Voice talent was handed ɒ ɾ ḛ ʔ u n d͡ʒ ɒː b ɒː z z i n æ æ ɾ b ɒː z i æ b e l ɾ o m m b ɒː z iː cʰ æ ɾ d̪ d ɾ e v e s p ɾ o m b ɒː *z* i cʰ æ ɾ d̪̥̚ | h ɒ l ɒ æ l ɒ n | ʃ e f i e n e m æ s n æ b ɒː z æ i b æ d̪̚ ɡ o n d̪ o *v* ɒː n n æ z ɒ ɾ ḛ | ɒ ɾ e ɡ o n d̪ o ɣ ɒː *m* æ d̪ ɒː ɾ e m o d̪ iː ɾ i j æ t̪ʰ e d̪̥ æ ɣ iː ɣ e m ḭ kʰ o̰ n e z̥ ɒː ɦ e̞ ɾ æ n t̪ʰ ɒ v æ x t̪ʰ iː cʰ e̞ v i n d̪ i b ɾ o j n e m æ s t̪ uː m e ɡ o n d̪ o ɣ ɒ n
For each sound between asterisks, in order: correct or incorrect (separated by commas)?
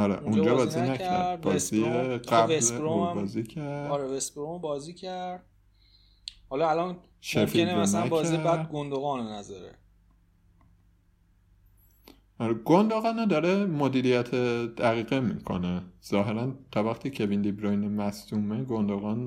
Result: correct, incorrect, incorrect